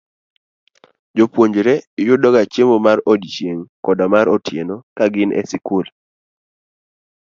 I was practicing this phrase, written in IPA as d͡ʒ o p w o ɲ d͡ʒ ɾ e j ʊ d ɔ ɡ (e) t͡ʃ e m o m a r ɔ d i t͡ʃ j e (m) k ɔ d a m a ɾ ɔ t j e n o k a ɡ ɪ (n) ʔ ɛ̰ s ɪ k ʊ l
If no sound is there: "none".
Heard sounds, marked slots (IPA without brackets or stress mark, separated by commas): a, ŋ, n